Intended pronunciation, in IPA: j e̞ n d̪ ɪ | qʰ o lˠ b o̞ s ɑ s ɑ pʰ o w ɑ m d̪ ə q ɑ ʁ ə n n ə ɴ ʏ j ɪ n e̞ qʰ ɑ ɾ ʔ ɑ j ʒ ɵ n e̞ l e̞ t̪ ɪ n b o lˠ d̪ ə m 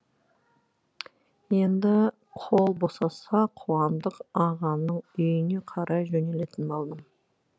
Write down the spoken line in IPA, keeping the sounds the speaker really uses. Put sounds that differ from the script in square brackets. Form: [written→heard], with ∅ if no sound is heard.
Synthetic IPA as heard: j e̞ n d̪ ɪ | qʰ o lˠ b o̞ s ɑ s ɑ [pʰ→qʰ] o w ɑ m d̪ ə q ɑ ʁ [ə→ɑ] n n ə ɴ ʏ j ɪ n e̞ qʰ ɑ ɾ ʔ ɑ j ʒ ɵ n e̞ l e̞ t̪ ɪ n b o lˠ d̪ ə m